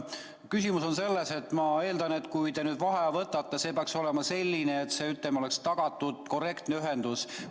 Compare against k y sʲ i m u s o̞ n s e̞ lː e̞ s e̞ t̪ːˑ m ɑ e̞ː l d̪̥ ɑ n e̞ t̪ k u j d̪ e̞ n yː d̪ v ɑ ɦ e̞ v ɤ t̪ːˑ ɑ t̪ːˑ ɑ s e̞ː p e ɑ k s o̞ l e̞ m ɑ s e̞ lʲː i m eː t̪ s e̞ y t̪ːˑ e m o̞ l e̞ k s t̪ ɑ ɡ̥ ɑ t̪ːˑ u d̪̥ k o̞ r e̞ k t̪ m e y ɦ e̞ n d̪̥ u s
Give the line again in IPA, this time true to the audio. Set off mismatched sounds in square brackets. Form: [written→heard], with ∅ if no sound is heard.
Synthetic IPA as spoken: k y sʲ i m u s o̞ n s e̞ lː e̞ s e̞ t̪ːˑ m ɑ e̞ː l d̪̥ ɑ n e̞ t̪ k u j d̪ e̞ n yː d̪ v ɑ ɦ e̞ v ɤ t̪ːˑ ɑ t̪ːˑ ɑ s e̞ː p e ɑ k s o̞ l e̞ m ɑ s e̞ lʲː i [m→n] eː t̪ s e̞ y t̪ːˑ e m o̞ l e̞ k s t̪ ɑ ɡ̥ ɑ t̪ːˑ u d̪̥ k o̞ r e̞ k t̪ [m→n] e y ɦ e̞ n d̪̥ u s